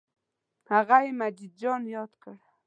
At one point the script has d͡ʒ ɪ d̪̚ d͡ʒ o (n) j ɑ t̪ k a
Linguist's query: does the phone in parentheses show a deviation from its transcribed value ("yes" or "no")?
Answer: no